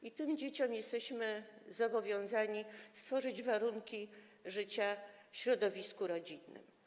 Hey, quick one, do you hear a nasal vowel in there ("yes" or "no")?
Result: yes